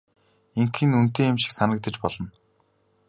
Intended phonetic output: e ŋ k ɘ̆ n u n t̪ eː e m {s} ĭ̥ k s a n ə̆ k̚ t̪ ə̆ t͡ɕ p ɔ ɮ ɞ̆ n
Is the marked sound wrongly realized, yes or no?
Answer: yes